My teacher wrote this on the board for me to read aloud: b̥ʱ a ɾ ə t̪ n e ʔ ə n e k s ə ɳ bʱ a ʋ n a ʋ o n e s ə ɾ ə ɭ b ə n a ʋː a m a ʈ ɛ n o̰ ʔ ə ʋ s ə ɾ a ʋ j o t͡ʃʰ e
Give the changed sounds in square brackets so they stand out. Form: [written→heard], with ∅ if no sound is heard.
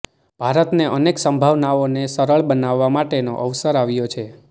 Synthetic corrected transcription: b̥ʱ a ɾ ə t̪ n e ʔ ə n e k s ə [ɳ→m] bʱ a ʋ n a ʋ o n e s ə ɾ ə ɭ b ə n a ʋː a m a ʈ [ɛ→e] n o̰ ʔ ə ʋ s ə ɾ a ʋ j o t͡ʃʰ e

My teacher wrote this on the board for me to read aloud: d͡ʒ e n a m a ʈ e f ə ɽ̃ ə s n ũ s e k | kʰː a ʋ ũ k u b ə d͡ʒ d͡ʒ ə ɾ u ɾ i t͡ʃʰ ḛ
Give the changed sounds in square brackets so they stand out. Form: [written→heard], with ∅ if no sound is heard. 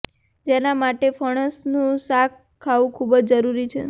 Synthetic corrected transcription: d͡ʒ e n a m a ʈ e f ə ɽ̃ ə s n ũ s [e→a] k | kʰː a ʋ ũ [k→kʰ] u b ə d͡ʒ d͡ʒ ə ɾ u ɾ i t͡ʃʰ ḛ

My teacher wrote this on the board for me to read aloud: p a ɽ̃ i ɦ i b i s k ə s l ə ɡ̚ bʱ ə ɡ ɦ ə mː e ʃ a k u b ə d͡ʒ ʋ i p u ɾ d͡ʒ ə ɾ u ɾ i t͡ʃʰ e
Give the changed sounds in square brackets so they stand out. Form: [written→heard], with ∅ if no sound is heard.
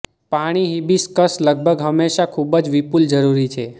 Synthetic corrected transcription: p a ɽ̃ i ɦ i b i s k ə s l ə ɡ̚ bʱ ə ɡ ɦ ə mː e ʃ a [k→kʰ] u b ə d͡ʒ ʋ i p u [ɾ→l] d͡ʒ ə ɾ u ɾ i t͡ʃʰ e

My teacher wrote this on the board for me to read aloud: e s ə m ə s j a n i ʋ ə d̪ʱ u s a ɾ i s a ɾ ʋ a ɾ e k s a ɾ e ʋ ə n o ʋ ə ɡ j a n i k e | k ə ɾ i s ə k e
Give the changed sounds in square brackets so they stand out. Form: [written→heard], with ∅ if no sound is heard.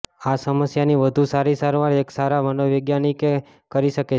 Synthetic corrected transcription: [e→a] s ə m ə s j a n i ʋ ə d̪ʱ u s a ɾ i s a ɾ ʋ a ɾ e k s a ɾ [e→a] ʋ ə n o ʋ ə ɡ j a n i k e | k ə ɾ i [s→ʃ] ə k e

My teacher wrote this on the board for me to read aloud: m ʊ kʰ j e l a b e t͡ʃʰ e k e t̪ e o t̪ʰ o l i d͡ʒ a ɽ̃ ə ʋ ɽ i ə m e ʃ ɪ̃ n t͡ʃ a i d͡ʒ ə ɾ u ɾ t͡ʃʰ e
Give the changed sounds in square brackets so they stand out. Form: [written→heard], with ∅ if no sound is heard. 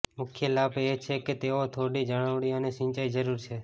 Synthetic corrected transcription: m ʊ kʰ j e l a b e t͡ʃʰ e k e t̪ e o t̪ʰ o [l→ɽ] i d͡ʒ [a→ə] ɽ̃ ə ʋ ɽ i ə [m→n] e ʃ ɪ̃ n t͡ʃ a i d͡ʒ ə ɾ u ɾ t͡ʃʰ e

